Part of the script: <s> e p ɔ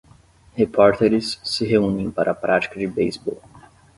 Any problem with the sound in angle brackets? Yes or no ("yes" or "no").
yes